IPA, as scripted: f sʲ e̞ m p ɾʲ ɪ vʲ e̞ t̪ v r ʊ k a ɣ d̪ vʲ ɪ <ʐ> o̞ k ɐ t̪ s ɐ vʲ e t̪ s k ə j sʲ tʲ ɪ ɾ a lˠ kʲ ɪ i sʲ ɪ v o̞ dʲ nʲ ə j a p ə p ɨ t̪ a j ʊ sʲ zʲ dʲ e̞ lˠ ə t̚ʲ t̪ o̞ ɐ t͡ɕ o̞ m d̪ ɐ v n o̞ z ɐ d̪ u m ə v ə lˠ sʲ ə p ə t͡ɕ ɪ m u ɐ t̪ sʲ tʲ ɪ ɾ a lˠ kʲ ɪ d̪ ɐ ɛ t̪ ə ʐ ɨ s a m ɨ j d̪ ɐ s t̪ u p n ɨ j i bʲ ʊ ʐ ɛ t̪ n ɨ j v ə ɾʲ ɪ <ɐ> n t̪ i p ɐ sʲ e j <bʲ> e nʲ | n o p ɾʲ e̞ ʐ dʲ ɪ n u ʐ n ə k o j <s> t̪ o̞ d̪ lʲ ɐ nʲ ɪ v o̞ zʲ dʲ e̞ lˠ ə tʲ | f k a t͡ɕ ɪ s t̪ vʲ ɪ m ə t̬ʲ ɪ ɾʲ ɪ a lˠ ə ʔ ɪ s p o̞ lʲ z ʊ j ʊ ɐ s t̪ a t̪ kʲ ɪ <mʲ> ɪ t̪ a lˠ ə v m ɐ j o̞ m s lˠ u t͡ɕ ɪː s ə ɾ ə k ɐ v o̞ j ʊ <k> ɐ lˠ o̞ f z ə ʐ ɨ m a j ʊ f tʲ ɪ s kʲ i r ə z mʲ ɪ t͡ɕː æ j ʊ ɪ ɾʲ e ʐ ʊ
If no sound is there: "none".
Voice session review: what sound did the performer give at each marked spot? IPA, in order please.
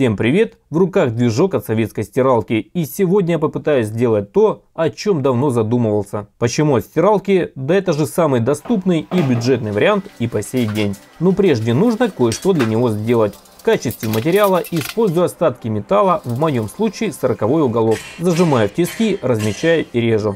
ʐ, a, dʲ, ʂ, mʲ, ɡ

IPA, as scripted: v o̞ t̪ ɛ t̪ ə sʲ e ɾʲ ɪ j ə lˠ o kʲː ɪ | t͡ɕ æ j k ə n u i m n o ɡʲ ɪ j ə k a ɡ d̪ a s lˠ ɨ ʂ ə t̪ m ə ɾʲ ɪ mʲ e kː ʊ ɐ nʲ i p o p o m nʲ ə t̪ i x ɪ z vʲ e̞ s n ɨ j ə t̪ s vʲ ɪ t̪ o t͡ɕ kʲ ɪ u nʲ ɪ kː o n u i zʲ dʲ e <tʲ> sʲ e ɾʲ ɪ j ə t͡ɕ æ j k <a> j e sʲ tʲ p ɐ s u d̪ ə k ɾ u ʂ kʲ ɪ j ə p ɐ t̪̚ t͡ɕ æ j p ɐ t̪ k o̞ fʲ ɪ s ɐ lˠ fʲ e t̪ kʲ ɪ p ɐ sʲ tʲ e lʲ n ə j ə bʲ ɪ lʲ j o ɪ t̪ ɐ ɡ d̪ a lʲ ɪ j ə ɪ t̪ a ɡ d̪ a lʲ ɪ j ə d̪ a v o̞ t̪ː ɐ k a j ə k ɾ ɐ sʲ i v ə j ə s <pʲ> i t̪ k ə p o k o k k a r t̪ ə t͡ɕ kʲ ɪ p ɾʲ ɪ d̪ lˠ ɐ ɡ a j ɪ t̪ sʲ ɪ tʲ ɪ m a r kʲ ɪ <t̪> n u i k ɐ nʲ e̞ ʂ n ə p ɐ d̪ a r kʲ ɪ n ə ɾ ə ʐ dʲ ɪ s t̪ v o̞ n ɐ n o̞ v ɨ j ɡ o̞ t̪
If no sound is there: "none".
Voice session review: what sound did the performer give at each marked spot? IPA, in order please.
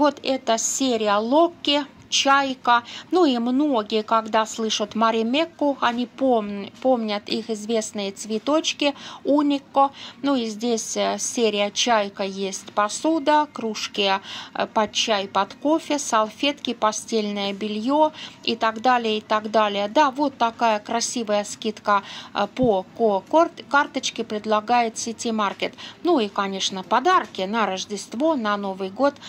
sʲ, ə, kʲ, t̪

